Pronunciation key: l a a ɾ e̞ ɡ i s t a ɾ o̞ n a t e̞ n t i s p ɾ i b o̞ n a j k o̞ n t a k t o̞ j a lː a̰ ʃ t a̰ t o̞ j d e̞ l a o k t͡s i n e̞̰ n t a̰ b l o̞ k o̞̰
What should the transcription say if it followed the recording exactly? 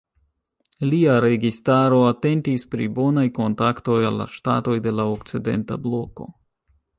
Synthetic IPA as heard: l i a ɾ e̞ ɡ i s t a ɾ o̞ a t e̞ n t i s p ɾ i b o̞ n a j k o̞ n t a k t o̞ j a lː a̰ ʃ t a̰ t o̞ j d e̞ l a o k t͡s i d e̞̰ n t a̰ b l o̞ k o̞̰